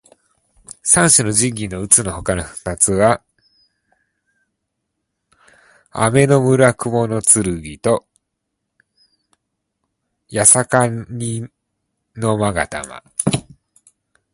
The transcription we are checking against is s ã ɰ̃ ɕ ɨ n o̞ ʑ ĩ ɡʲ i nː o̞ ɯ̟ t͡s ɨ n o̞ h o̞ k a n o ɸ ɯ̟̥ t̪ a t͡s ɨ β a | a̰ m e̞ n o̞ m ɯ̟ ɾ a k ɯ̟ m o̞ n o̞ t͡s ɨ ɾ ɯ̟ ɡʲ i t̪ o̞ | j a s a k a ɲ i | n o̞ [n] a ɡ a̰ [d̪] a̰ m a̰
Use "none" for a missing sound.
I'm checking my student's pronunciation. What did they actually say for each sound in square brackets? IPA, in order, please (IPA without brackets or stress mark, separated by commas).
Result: m, t̪